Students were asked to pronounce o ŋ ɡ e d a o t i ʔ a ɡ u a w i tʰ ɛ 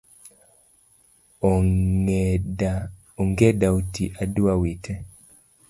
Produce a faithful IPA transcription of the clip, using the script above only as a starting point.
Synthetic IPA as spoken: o ŋ ɡ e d a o t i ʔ a d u a w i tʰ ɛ